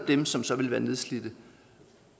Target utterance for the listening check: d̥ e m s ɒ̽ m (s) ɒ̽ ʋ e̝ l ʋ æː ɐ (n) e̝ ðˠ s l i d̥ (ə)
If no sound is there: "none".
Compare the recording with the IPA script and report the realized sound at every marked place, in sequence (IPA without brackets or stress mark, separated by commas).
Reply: s, n, ə